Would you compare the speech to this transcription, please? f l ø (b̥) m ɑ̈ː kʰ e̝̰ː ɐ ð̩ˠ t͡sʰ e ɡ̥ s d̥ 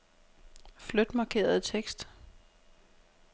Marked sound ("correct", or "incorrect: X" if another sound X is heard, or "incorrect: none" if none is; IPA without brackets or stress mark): incorrect: d̥